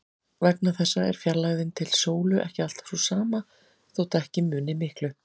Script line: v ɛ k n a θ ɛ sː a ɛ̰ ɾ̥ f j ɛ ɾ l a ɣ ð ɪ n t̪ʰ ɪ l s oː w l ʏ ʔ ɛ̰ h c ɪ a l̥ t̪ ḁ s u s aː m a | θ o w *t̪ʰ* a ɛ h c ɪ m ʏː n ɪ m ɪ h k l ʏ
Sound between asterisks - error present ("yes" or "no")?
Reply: yes